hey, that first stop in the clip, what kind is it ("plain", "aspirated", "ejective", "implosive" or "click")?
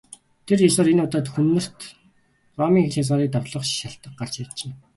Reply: aspirated